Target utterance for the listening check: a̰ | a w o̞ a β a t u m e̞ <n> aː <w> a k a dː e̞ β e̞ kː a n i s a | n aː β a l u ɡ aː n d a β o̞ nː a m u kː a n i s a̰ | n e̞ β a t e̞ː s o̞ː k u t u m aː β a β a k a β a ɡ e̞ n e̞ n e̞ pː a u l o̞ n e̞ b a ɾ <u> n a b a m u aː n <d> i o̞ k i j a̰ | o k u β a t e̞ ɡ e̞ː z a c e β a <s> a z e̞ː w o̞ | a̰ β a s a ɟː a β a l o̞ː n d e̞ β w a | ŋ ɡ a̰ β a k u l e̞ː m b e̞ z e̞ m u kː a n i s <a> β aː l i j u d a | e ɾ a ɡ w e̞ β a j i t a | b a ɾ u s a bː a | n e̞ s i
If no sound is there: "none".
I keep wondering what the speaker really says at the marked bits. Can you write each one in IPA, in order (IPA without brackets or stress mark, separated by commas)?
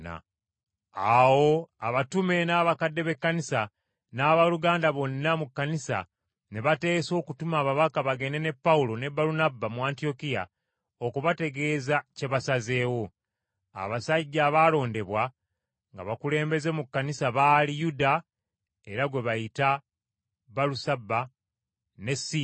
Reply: n, β, u, t, s, a